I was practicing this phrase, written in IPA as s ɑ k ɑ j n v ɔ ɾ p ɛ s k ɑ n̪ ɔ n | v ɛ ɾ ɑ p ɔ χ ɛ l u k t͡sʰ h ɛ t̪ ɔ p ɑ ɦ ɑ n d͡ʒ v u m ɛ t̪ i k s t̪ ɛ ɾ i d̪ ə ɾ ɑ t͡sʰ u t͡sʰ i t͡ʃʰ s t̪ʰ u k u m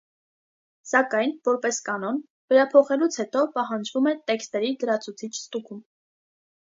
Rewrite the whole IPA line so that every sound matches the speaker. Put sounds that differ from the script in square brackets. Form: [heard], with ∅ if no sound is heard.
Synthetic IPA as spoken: s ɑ k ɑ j n v ɔ ɾ p ɛ s k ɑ n̪ ɔ n | v ɛ ɾ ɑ [pʰ] ɔ χ ɛ l u [∅] t͡sʰ h ɛ t̪ ɔ p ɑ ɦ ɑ n d͡ʒ v u m ɛ t̪ [ɛ] k s t̪ ɛ ɾ i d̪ ə ɾ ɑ t͡sʰ u t͡sʰ i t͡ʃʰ s [t̪] u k u m